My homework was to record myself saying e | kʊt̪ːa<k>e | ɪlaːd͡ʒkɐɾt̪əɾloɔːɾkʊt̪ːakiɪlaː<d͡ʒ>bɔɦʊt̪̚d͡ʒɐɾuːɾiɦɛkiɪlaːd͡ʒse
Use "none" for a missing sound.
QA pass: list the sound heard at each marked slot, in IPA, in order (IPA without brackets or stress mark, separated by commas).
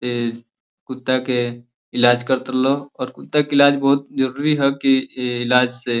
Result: k, d͡ʒ